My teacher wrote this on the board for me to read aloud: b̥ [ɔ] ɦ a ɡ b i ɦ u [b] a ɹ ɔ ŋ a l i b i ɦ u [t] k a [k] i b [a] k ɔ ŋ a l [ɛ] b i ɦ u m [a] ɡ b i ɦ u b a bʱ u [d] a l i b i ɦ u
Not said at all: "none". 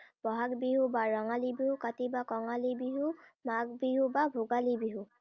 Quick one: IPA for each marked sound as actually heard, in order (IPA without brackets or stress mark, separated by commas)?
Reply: ɔ, b, none, t, a, i, a, ɡ